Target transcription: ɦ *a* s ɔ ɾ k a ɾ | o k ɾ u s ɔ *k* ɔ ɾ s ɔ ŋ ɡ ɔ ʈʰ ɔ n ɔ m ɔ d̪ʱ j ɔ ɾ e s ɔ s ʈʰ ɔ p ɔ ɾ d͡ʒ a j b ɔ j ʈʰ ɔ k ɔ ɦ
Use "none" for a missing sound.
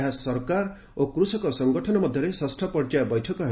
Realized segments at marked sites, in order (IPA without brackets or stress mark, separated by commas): a, k